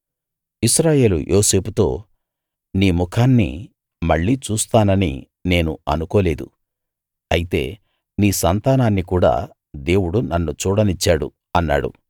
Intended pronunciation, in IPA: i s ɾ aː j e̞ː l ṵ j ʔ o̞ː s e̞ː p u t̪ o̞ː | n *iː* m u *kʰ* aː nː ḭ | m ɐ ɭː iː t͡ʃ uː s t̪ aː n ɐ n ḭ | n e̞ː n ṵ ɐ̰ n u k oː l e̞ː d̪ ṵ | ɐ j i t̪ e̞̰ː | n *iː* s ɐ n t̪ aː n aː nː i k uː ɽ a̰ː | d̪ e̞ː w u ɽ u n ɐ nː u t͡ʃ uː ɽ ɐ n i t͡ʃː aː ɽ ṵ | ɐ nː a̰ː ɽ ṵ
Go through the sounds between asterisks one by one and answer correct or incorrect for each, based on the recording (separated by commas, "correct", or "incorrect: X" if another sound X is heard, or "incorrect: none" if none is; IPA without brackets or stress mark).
correct, correct, correct